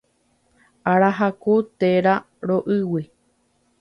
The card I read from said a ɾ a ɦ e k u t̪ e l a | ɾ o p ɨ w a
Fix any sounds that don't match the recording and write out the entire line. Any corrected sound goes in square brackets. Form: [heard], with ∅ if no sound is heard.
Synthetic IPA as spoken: a ɾ a ɦ [a] k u t̪ e [ɾ] a | ɾ o [ʔ] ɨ w [i]